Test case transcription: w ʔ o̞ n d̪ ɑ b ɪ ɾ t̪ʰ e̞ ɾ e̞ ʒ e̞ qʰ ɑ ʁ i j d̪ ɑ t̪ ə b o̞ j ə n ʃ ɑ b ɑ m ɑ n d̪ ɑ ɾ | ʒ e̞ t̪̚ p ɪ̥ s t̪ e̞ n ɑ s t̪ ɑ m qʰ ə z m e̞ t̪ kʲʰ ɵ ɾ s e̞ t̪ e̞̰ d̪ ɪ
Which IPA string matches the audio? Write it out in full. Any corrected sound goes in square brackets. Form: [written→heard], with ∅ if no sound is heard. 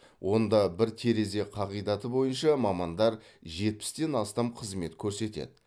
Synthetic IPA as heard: w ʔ o̞ n d̪ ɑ b ɪ ɾ t̪ʰ e̞ ɾ e̞ [ʒ→z] e̞ qʰ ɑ ʁ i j d̪ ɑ t̪ ə b o̞ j ə n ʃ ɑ [b→m] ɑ m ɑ n d̪ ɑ ɾ | ʒ e̞ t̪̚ p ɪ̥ s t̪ e̞ n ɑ s t̪ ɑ m qʰ ə z m e̞ t̪ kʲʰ ɵ ɾ s e̞ t̪ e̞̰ d̪ ɪ